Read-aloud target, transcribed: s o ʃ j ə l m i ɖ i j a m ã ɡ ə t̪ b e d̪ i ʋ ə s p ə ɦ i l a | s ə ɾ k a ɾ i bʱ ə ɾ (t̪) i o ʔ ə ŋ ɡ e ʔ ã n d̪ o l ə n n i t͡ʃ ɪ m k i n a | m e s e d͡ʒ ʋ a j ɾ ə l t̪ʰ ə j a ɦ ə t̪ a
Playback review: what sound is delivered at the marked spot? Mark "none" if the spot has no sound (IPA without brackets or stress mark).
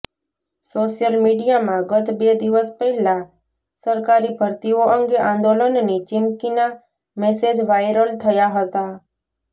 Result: t̪